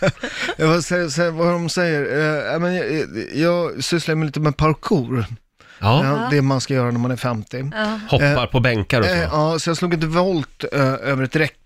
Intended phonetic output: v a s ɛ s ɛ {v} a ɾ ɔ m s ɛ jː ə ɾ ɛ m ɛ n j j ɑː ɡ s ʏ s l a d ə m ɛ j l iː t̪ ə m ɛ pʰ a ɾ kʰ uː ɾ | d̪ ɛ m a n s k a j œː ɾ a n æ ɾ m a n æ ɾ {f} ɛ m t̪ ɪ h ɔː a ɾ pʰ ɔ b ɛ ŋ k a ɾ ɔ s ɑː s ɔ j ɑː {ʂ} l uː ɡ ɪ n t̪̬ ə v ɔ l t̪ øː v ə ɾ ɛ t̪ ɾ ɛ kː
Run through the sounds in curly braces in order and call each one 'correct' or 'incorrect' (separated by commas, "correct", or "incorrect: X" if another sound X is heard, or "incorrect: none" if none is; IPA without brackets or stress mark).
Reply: correct, correct, incorrect: s